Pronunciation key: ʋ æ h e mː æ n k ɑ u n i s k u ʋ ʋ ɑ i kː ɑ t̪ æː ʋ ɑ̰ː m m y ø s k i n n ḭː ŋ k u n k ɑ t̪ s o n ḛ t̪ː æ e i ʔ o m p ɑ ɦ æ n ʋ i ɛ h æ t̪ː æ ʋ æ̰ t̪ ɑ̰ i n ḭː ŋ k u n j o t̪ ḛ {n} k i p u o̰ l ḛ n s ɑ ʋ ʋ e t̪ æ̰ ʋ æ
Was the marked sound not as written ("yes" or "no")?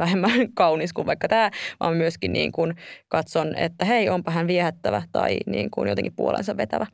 yes